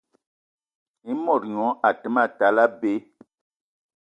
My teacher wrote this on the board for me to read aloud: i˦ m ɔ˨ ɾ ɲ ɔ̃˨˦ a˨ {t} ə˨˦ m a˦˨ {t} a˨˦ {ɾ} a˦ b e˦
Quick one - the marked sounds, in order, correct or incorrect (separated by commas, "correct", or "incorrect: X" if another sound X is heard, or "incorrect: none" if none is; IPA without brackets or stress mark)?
correct, correct, incorrect: l